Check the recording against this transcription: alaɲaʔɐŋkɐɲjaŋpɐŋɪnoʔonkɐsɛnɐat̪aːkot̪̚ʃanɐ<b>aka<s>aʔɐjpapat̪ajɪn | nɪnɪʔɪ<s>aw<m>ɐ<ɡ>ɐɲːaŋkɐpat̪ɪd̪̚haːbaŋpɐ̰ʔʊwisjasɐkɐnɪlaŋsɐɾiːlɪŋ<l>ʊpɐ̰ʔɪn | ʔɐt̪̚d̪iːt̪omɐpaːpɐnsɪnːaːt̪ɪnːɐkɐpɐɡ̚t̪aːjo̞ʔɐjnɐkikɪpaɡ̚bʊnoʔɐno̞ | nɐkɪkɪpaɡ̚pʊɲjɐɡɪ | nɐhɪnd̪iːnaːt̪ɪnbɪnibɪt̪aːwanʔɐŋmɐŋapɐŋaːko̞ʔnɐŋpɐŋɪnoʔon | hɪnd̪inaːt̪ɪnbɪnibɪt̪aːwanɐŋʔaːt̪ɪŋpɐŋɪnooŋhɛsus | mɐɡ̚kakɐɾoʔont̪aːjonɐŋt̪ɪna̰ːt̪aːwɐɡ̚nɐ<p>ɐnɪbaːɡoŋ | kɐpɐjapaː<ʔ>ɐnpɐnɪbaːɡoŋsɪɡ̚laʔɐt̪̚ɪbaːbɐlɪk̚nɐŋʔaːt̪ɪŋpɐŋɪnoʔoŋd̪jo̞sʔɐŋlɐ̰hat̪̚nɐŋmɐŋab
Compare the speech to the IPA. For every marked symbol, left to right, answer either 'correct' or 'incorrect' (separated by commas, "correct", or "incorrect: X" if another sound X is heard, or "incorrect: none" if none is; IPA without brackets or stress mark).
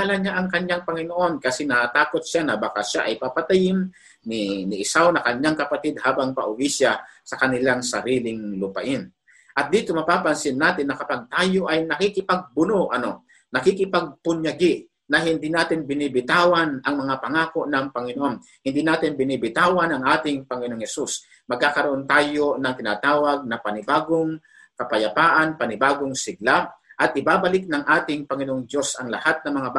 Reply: correct, incorrect: ʃ, correct, incorrect: n, incorrect: k, correct, correct, correct